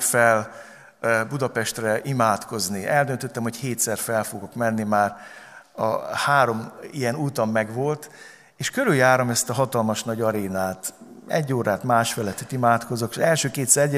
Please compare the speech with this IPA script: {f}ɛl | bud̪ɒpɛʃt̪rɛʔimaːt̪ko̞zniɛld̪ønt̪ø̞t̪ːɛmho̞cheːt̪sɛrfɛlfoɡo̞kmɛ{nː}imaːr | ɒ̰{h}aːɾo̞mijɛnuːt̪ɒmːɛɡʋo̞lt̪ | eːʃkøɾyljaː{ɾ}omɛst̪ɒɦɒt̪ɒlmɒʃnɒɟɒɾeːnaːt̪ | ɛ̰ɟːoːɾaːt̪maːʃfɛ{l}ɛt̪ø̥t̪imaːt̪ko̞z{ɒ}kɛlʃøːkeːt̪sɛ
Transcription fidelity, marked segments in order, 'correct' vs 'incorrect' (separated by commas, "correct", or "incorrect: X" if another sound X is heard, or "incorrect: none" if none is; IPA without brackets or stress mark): correct, correct, correct, correct, correct, incorrect: o